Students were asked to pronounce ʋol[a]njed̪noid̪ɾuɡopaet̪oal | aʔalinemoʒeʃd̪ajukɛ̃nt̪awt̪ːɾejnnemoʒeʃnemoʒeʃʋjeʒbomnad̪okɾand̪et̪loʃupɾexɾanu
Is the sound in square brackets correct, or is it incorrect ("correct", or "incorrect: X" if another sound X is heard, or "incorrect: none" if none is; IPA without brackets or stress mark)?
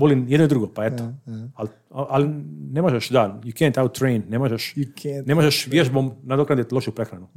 incorrect: i